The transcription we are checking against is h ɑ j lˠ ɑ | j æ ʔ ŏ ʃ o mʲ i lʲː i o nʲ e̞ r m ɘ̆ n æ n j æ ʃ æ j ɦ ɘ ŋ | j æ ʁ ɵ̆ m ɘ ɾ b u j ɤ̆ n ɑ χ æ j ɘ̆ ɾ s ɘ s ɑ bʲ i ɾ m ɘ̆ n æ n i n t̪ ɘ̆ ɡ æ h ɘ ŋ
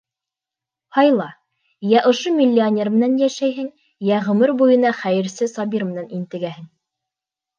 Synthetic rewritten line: h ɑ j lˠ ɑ | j æ ʔ ŏ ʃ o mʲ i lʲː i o nʲ e̞ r m ɘ̆ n æ n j æ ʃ æ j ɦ ɘ ŋ | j æ ʁ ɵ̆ m ɘ ɾ b u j ɤ̆ n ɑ χ æ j ɘ̆ ɾ s ɘ s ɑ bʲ i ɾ m ɘ̆ n æ n i n t̪ ɘ̆ ɡ æ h ɘ ŋ